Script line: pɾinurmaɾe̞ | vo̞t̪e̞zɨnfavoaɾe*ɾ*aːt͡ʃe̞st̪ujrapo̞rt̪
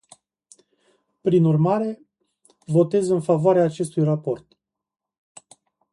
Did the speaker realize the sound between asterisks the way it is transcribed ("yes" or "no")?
no